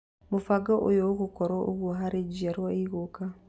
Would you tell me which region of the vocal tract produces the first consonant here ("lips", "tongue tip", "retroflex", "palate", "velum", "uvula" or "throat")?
lips